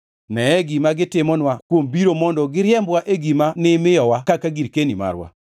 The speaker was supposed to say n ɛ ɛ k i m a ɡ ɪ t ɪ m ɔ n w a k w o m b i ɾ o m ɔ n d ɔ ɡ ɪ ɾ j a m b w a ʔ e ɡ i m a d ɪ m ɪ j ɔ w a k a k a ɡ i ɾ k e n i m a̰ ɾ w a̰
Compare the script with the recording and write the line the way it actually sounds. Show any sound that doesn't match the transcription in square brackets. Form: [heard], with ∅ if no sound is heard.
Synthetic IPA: n ɛ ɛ [ɡ] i m a ɡ ɪ t ɪ m ɔ n w a k w o m b i ɾ o m ɔ n d ɔ ɡ ɪ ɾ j [ɛ] m b w a ʔ e ɡ i m a [n] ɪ m ɪ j ɔ w a k a k a ɡ i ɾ k e n i m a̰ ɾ w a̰